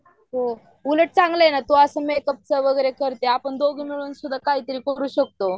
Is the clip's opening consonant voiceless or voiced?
voiced